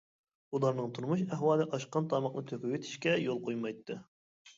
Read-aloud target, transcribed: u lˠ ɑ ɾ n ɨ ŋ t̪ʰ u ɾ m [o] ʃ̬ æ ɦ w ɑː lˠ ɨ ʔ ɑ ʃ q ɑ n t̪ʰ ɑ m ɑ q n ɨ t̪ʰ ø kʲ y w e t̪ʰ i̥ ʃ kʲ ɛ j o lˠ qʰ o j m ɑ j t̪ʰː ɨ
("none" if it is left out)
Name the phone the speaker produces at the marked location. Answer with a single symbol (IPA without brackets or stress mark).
u